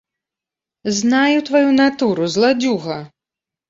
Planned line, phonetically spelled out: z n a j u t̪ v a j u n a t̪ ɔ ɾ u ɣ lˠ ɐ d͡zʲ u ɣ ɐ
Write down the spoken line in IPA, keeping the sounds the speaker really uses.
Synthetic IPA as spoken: z n a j u t̪ v a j u n a t̪ u ɾ u z lˠ a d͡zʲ u ɣ ɐ